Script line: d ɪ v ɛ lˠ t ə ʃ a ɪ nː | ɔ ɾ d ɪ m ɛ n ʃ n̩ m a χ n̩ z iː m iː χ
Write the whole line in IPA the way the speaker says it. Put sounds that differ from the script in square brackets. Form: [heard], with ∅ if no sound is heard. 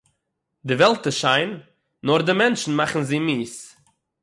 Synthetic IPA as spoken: d ɪ v ɛ lˠ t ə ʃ a ɪ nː | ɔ ɾ d ɪ m ɛ n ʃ n̩ m a χ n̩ z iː m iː [s]

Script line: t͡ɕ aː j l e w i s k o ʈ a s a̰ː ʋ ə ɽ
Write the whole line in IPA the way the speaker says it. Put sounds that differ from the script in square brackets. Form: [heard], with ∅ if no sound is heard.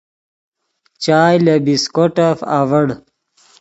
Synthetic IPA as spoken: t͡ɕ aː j l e [b] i s k o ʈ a [f] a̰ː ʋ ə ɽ

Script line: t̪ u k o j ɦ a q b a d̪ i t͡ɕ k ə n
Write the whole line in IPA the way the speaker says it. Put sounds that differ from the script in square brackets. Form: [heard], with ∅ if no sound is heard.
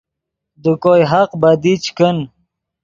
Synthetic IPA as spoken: [d̪] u k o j ɦ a q b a d̪ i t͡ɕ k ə n

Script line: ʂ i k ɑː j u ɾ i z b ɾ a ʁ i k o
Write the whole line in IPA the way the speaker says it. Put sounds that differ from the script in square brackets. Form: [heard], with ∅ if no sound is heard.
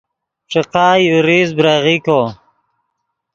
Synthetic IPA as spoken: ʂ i [q] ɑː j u ɾ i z b ɾ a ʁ i k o

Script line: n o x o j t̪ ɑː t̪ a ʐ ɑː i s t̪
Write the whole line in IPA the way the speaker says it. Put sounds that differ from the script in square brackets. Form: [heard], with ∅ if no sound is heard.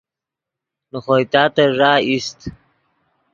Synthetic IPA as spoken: n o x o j t̪ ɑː t̪ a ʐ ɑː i s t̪

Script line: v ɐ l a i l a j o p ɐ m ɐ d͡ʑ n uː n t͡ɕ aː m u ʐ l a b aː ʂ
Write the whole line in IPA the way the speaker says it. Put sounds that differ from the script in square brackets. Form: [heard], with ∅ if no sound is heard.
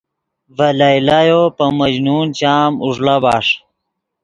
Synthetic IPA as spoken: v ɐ l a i l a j o p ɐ m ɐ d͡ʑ n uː n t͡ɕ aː m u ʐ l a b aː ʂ

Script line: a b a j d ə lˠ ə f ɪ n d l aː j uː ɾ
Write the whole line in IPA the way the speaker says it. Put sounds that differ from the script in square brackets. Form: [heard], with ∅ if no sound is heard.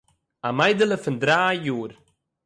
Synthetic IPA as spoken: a [m] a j d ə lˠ ə f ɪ n d [ɾ] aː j uː ɾ

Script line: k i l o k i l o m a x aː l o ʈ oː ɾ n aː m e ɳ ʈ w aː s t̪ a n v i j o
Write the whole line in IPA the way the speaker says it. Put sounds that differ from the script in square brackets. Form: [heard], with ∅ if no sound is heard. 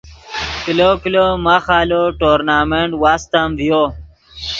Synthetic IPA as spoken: k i l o k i l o m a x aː l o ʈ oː ɾ n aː m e ɳ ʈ w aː s t̪ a [m] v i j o

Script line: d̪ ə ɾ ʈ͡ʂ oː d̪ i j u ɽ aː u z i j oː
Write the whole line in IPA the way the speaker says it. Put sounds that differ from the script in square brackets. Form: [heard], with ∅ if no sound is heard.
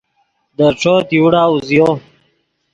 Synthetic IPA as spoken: d̪ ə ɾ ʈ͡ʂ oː [t̪] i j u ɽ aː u z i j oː

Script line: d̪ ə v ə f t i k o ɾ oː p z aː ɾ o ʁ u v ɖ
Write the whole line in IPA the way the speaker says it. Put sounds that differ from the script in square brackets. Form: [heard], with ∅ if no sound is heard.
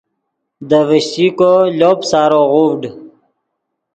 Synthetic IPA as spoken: d̪ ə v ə [ɕ] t i k o [l] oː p [s] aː ɾ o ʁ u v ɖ

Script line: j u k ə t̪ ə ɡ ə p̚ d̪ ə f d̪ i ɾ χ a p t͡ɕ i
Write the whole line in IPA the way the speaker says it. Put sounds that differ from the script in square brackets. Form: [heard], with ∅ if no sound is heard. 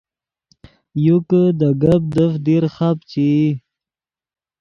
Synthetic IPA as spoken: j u k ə [d̪] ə ɡ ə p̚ d̪ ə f d̪ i ɾ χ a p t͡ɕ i

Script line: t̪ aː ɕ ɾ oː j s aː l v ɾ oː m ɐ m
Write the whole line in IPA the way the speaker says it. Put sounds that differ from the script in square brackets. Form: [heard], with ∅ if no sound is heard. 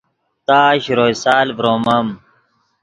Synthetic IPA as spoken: t̪ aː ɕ ɾ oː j s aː l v ɾ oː m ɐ m

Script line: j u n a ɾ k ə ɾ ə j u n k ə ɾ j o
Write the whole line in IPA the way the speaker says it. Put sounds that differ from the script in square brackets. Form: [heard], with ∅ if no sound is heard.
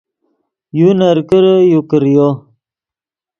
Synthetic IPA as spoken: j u n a ɾ k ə ɾ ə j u [∅] k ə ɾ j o

